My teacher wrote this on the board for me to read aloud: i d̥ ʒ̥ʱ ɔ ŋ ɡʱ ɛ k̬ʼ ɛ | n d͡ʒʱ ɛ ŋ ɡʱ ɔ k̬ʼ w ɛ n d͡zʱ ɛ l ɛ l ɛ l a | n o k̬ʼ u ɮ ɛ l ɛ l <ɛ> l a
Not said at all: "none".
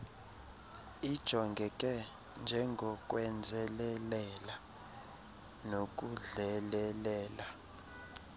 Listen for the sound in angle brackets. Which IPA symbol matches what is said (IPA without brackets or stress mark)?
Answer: ɛː